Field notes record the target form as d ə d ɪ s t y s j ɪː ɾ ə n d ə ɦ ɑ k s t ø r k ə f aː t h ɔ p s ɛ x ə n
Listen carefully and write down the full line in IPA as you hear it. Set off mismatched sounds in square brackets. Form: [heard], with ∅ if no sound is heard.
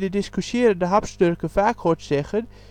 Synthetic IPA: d ə d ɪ s [k] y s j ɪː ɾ ə n d ə ɦ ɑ [p] s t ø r k ə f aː [k] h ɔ [t] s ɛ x ə n